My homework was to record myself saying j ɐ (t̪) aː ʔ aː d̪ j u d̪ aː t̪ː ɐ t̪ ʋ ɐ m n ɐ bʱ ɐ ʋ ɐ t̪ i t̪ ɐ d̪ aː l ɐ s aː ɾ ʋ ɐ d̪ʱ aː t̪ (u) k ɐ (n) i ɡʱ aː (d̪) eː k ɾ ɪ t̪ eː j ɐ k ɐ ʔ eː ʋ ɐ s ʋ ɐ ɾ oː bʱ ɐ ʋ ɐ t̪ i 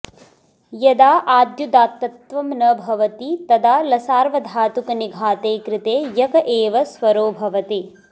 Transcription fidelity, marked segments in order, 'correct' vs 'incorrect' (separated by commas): incorrect, correct, correct, incorrect